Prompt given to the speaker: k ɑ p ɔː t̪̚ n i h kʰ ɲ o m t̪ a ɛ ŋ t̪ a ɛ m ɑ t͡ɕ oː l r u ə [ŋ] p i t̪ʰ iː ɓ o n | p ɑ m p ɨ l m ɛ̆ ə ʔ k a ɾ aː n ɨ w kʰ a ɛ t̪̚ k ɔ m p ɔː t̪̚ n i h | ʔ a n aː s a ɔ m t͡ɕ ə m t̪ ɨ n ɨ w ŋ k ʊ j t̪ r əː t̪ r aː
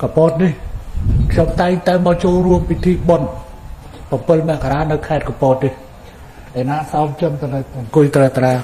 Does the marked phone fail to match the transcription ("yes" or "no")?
yes